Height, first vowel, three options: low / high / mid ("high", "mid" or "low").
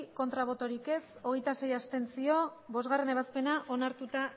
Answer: mid